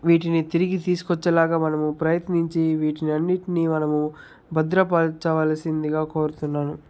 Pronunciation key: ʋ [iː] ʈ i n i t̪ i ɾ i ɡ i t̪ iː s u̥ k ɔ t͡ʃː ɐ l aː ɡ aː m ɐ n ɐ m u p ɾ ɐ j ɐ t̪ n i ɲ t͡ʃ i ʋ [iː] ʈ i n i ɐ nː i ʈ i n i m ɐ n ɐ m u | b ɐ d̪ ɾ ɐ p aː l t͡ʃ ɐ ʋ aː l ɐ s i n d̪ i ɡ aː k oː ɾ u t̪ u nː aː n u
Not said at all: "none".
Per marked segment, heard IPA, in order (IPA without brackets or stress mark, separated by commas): iː, iː